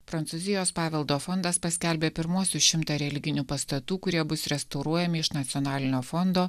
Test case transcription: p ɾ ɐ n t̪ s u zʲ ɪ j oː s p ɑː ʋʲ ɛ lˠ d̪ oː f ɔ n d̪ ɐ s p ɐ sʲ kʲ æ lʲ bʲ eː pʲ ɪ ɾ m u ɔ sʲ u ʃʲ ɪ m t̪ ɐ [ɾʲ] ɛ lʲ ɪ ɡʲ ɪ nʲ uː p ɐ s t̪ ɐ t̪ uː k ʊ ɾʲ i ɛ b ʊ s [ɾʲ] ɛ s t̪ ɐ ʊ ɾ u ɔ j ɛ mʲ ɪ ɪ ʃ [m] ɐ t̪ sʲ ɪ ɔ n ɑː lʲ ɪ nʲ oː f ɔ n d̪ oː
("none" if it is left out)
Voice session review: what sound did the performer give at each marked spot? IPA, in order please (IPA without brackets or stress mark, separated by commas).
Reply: ɾʲ, ɾʲ, n